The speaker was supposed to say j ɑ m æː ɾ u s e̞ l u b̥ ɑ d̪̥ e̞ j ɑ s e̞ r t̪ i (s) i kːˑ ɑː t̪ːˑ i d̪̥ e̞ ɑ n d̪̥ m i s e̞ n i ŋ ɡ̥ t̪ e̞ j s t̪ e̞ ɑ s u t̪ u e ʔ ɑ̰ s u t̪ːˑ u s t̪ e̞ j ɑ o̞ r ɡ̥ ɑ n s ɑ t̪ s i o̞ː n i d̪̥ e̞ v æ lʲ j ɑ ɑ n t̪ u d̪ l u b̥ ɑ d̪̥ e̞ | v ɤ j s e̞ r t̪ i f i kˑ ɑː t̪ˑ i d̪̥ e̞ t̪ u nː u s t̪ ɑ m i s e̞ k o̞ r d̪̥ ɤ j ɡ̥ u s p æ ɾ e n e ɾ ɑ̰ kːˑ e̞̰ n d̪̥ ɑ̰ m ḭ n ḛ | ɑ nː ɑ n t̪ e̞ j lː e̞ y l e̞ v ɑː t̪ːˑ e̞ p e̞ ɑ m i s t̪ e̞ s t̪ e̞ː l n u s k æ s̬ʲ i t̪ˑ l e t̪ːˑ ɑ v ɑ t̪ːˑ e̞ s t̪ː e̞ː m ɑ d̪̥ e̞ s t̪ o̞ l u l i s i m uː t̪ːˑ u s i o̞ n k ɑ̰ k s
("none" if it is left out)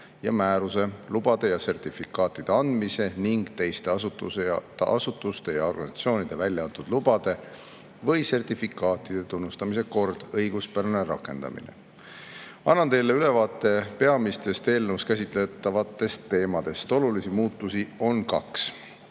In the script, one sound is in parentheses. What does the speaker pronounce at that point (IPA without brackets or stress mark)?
f